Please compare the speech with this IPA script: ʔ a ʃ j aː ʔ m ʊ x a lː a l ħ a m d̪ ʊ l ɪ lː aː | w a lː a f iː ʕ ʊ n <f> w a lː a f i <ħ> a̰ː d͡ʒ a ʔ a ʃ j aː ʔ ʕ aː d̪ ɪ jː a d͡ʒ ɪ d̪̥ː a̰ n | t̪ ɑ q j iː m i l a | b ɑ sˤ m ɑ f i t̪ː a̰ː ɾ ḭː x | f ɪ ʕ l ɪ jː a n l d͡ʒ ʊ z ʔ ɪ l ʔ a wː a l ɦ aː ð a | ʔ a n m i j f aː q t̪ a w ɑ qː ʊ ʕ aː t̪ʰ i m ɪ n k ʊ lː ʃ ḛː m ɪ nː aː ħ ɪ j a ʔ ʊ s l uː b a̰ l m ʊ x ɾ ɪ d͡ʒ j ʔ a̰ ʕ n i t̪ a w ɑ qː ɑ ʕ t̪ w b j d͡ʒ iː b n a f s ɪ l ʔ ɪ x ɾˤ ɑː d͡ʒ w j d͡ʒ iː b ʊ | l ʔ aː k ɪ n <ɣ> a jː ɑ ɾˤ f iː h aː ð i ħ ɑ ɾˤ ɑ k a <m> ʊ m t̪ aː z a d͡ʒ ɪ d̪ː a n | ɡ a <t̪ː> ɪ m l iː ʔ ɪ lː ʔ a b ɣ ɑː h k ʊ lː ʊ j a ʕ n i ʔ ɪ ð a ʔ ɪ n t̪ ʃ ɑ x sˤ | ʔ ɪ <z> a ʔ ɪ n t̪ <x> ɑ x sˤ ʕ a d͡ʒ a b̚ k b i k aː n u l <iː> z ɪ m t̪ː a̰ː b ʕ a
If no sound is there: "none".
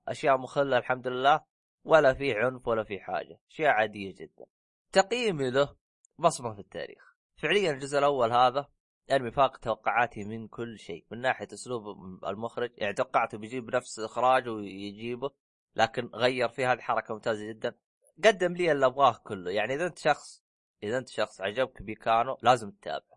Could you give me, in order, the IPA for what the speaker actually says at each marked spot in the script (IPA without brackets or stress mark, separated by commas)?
f, ħ, ɣ, m, d̪ː, ð, ʃ, aː